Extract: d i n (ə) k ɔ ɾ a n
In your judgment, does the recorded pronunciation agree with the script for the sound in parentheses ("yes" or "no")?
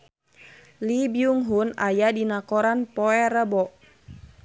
no